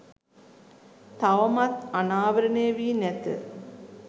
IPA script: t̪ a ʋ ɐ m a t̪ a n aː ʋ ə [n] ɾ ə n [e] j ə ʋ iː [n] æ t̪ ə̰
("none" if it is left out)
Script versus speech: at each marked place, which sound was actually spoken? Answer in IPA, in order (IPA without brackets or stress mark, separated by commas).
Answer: none, e, n